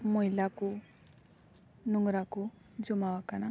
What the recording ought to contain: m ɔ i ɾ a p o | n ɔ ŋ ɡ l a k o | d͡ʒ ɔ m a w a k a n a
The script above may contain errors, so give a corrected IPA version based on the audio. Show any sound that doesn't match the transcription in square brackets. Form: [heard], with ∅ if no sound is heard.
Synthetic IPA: m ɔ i [l] a [k] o | n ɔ ŋ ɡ [ɾ] a k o | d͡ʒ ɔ m a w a k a n a